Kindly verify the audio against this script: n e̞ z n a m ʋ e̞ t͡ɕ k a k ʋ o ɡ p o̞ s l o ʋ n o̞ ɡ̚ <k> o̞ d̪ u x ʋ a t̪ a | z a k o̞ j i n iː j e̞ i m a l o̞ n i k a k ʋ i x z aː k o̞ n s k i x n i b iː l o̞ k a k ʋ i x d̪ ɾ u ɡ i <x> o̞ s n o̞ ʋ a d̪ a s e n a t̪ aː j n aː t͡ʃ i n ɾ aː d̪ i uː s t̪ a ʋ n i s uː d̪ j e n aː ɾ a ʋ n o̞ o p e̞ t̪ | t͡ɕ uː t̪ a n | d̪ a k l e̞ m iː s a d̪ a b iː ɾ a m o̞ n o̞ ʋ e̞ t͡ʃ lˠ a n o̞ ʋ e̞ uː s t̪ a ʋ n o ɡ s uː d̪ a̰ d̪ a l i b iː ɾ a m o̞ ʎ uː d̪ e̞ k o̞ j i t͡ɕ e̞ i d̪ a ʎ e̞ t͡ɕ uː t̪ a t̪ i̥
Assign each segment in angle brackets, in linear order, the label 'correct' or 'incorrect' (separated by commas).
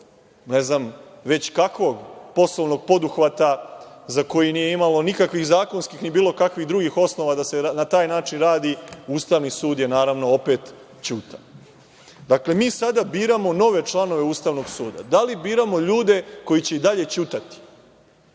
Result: incorrect, correct